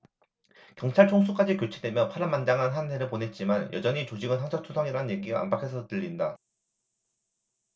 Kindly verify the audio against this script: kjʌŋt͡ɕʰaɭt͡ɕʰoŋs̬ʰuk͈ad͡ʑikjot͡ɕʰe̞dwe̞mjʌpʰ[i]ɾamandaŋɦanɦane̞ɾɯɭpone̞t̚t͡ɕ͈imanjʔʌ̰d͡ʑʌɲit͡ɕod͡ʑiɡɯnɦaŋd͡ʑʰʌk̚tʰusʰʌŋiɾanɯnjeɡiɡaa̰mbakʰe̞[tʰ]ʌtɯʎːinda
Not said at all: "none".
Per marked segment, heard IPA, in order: a, sʰ

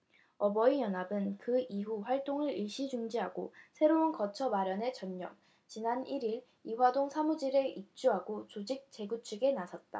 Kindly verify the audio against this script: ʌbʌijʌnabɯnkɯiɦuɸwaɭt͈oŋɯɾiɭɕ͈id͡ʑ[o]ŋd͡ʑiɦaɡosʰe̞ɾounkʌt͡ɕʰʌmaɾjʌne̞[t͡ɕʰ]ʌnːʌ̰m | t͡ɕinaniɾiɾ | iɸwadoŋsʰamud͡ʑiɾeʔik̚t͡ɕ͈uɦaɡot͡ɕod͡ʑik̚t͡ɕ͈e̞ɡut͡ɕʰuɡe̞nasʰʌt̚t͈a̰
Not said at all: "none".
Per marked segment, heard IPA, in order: u, t͡ɕ

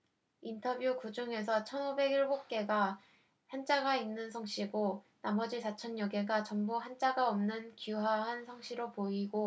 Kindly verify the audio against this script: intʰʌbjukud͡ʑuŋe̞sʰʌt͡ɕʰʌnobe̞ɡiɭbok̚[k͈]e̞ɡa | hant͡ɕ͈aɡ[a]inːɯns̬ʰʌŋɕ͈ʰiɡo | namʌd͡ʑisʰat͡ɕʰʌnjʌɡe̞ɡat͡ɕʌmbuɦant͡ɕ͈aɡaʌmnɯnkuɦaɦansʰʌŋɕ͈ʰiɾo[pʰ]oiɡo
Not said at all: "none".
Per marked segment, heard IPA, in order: k͈, a, p

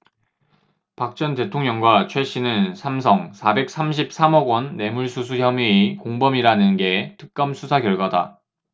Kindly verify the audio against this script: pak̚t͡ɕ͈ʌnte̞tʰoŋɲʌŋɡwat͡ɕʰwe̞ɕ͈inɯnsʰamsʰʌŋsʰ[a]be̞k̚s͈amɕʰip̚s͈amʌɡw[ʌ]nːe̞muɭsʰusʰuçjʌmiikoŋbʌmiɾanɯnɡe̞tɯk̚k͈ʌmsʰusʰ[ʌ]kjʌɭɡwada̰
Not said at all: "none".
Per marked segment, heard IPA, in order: a, ʌ, a

